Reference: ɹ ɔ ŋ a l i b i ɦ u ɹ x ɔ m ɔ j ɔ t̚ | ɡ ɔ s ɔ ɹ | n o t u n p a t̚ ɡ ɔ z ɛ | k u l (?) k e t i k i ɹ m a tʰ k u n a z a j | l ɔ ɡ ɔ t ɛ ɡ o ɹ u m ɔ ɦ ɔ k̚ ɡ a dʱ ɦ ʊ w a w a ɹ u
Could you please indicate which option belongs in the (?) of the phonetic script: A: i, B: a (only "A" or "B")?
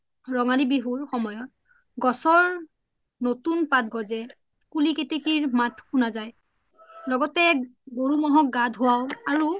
A